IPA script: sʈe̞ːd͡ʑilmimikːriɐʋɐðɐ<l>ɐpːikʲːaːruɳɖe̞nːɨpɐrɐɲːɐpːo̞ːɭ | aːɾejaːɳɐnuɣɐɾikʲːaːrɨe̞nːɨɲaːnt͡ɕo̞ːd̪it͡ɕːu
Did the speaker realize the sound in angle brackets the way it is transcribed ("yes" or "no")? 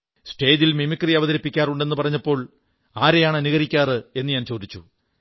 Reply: no